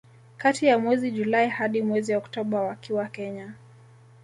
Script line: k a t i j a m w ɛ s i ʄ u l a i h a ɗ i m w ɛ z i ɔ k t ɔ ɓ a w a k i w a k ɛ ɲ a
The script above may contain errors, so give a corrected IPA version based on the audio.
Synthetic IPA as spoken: k a t i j a m w ɛ z i ʄ u l a i h a ɗ i m w ɛ z i ɔ k t ɔ ɓ a w a k i w a k ɛ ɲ a